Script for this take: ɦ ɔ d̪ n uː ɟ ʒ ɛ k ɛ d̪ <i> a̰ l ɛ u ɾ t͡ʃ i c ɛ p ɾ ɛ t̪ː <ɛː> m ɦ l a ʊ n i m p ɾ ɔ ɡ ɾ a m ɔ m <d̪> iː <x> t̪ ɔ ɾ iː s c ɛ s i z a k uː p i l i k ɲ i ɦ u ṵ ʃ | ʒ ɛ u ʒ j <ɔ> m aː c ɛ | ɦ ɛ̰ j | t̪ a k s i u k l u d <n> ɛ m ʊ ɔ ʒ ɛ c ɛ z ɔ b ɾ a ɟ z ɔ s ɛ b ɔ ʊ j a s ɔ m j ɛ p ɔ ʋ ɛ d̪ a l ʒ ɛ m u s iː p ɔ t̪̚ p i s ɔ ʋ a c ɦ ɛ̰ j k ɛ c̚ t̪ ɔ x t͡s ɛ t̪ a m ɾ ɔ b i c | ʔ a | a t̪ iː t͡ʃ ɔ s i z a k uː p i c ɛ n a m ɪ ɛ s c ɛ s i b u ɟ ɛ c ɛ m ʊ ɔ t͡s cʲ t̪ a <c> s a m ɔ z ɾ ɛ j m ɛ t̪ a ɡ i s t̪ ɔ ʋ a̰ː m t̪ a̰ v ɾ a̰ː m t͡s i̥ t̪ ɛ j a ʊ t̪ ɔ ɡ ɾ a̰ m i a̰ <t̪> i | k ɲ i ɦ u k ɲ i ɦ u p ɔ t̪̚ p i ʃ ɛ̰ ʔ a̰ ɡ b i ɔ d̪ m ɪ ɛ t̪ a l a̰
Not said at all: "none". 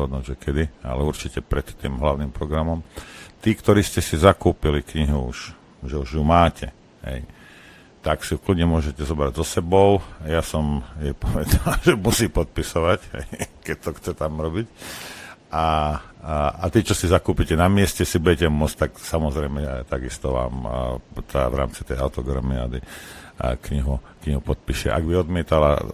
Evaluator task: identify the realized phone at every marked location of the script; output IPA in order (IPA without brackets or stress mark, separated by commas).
i, iː, t̪, k, u, ɲ, k, d̪